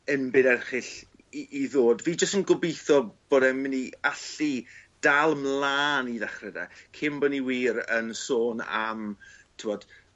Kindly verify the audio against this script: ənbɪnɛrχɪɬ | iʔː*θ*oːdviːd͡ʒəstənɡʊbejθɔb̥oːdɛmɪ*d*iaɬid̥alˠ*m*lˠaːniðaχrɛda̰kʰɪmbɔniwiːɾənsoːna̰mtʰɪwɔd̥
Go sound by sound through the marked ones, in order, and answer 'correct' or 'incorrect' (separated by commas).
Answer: incorrect, incorrect, correct